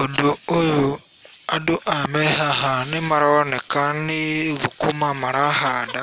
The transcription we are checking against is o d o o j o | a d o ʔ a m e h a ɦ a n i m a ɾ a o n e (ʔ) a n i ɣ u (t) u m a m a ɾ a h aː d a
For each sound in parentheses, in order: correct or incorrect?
incorrect, incorrect

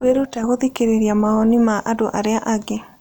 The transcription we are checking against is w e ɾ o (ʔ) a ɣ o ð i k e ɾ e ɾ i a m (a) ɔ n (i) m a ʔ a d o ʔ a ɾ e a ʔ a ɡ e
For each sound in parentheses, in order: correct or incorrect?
incorrect, correct, correct

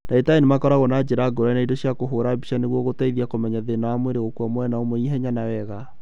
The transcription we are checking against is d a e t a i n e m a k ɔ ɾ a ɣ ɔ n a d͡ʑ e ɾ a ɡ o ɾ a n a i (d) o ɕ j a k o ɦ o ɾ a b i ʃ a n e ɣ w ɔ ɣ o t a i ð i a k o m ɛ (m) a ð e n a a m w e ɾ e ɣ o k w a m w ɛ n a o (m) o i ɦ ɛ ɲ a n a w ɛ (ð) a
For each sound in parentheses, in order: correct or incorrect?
correct, incorrect, correct, incorrect

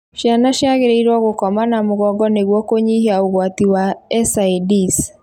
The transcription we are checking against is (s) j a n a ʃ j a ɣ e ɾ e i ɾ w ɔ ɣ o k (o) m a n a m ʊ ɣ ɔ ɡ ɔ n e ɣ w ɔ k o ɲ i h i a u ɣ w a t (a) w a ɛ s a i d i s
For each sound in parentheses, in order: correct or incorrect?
incorrect, incorrect, incorrect

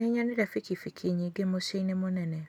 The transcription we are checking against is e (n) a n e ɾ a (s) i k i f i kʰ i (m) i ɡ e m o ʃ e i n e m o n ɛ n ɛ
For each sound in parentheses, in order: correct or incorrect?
incorrect, incorrect, incorrect

